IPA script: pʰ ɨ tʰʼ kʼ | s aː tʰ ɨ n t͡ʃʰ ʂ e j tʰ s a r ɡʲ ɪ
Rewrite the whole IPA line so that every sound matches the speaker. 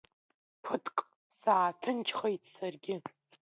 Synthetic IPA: pʰ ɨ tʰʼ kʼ | s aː tʰ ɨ n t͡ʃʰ χ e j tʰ s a r ɡʲ ɪ